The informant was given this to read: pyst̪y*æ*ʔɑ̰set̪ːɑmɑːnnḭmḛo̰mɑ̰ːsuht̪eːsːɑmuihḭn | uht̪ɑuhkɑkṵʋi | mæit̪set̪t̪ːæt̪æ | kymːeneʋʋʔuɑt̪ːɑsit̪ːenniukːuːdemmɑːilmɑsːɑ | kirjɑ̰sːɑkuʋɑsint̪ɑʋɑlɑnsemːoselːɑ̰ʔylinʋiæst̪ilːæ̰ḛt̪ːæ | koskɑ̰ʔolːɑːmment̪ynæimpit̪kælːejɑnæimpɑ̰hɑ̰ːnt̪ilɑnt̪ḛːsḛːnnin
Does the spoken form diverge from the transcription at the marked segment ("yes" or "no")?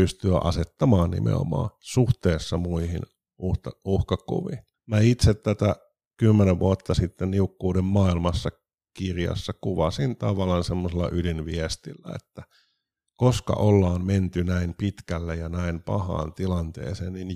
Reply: no